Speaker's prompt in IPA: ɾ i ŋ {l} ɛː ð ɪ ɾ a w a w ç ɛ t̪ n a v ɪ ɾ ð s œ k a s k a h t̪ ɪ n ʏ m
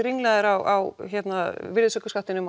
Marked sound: correct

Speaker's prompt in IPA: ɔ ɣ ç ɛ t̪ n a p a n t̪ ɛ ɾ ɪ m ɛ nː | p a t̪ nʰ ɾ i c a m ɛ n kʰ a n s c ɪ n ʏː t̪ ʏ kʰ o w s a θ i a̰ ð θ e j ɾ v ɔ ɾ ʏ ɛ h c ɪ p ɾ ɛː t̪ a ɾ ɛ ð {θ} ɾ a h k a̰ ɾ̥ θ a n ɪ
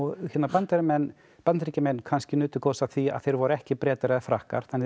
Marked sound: incorrect: f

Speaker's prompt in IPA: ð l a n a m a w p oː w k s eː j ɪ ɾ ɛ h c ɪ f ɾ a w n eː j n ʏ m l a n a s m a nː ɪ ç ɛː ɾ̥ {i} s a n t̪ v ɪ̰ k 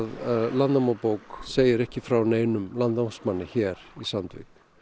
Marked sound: correct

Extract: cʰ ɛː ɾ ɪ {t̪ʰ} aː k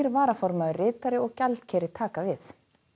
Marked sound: correct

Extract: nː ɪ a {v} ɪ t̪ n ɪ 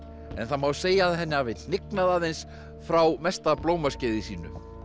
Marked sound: correct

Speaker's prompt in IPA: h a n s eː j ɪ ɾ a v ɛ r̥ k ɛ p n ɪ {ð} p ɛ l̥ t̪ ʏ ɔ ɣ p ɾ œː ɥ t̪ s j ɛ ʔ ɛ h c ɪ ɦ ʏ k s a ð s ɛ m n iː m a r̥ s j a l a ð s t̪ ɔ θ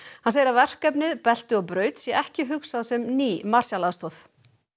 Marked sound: correct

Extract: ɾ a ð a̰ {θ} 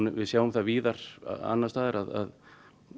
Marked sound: incorrect: ð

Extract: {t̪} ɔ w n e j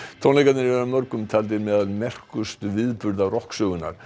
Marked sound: incorrect: t̪ʰ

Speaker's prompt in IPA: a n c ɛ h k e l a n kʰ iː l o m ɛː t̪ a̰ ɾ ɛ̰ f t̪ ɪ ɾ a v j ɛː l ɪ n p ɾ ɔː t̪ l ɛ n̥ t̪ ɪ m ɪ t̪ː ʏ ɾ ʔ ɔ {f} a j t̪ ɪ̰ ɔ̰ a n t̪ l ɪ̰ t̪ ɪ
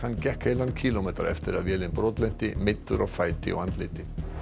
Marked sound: correct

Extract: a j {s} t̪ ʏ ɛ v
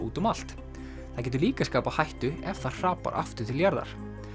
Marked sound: incorrect: h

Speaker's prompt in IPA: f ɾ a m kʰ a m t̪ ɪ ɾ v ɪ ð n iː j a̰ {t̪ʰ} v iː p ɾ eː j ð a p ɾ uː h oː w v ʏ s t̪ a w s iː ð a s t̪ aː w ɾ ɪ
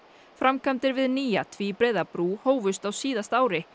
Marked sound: correct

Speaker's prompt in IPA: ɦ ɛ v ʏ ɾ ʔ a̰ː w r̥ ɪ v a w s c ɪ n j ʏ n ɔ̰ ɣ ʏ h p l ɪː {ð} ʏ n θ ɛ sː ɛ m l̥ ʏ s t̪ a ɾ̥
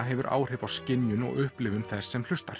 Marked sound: incorrect: v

